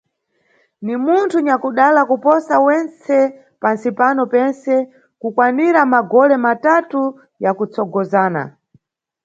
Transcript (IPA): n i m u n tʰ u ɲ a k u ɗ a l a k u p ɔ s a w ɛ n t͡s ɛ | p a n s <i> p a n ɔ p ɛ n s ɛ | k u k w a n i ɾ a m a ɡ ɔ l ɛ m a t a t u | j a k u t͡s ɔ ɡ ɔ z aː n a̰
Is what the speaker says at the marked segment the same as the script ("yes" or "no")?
yes